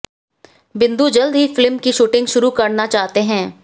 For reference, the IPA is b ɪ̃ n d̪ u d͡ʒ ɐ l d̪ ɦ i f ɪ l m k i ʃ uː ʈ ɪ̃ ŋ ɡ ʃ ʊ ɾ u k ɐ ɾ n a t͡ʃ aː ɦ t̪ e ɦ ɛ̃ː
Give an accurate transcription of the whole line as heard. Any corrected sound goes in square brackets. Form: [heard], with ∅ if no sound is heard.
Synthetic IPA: b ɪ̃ n d̪ u d͡ʒ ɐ l d̪ ɦ i f ɪ l m k i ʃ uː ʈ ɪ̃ ŋ ɡ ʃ ʊ ɾ u k ɐ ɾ n a t͡ʃ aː ɦ t̪ e ɦ ɛ̃ː